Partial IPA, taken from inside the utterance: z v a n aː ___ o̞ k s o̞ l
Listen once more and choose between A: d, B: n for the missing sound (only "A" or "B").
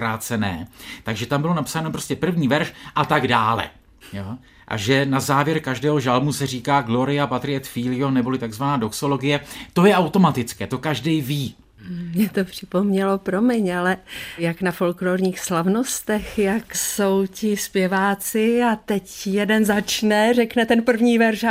A